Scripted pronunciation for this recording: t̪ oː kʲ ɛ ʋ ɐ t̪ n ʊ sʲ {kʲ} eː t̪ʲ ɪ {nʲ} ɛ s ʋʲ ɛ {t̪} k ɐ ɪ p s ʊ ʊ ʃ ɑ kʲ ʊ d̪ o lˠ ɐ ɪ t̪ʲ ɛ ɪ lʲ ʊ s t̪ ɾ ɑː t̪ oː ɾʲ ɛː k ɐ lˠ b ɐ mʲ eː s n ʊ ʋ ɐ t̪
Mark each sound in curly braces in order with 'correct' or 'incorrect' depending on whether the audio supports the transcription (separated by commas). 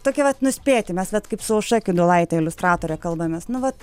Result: incorrect, incorrect, correct